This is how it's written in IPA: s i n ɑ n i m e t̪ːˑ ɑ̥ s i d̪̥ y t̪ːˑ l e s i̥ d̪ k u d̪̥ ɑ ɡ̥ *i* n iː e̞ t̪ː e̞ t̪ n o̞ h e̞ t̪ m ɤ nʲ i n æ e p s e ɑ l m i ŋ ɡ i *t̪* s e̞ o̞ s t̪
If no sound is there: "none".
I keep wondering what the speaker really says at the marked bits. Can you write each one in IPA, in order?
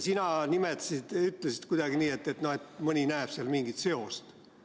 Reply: i, t̪

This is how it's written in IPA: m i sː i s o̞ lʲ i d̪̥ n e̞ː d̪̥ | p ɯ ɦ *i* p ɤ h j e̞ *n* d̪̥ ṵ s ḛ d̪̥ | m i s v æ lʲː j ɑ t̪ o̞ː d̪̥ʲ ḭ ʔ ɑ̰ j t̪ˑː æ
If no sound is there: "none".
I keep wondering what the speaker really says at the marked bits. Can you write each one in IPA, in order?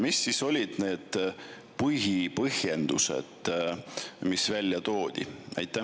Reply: i, n

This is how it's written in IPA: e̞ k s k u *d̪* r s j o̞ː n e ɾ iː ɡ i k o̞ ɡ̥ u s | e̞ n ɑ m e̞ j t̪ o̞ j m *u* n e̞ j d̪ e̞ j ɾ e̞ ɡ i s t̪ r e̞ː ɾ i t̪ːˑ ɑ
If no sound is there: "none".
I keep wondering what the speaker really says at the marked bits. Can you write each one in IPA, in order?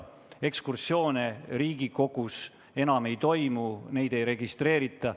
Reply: none, u

